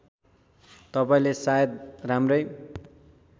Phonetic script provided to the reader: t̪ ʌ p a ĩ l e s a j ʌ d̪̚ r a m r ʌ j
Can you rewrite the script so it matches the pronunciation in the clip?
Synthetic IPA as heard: t̪ ʌ p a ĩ l e s a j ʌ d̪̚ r a m r ʌ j